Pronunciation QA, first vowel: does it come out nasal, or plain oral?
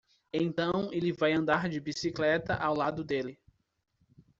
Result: nasal